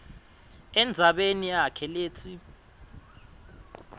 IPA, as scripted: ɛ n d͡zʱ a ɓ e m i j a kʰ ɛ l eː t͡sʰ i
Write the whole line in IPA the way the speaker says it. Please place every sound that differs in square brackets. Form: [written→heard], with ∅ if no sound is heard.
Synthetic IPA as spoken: ɛ n d͡zʱ a ɓ e [m→n] i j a kʰ ɛ l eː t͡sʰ i